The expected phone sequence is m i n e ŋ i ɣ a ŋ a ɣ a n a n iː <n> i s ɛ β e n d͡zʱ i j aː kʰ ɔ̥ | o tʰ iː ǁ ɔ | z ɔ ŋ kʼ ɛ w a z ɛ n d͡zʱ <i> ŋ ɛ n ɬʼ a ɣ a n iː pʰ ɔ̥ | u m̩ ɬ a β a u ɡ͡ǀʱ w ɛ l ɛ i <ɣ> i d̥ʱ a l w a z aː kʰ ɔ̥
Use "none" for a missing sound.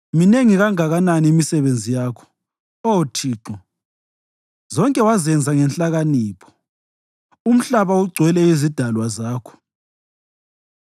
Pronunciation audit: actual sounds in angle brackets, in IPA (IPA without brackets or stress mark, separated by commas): m, a, z